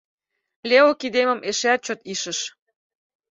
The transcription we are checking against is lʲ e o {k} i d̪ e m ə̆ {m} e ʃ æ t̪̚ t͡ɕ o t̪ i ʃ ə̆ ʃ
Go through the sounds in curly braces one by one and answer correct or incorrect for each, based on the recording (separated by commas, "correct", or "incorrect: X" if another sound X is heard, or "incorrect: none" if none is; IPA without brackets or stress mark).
correct, correct